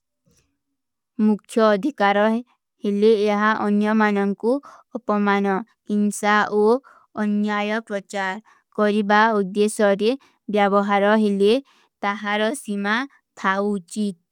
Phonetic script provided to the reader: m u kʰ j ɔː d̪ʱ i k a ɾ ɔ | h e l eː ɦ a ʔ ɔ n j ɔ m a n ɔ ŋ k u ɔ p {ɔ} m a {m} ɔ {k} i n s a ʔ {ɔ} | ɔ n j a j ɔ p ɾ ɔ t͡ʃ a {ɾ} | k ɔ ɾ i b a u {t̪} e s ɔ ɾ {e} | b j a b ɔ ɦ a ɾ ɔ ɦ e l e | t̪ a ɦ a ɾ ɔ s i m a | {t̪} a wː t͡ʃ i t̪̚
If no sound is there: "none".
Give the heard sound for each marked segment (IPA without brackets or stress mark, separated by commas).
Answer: ɔ, n, k, o, ɾ, d̪, e, t̪ʰ